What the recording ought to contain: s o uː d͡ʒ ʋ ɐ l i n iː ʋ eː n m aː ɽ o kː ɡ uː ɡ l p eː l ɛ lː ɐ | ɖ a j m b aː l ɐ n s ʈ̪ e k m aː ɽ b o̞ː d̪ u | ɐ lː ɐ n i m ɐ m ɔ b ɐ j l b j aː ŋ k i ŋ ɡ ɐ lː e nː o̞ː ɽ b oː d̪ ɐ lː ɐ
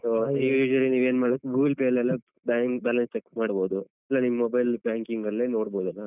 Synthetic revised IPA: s o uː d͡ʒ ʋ ɐ l i n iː ʋ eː n m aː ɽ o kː ɡ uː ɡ l p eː l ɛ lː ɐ | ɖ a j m b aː l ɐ n s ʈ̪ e k m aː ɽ b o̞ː d̪ u | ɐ lː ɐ n i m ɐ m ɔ b ɐ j l b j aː ŋ k i ŋ ɡ ɐ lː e n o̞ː ɽ b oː d̪ ɐ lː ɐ